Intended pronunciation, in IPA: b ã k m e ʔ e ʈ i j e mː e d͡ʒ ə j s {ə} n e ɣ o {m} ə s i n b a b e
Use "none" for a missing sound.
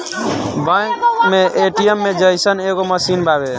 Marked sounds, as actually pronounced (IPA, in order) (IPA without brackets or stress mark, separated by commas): ə, m